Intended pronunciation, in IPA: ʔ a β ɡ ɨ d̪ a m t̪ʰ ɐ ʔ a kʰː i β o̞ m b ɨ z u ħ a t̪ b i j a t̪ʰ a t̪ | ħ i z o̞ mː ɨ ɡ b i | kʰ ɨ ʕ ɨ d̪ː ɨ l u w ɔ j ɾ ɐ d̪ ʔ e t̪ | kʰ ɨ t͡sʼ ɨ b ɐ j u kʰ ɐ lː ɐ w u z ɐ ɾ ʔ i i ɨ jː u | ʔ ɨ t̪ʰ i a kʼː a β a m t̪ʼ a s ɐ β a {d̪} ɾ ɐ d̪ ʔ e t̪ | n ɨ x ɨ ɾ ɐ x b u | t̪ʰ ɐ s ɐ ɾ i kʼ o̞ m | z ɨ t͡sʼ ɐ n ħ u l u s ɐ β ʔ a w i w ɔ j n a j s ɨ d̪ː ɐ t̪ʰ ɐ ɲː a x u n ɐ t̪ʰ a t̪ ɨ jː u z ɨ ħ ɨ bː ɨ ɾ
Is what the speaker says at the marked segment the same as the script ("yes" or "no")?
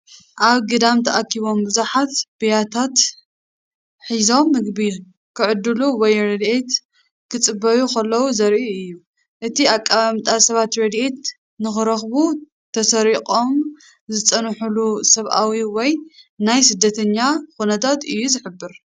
no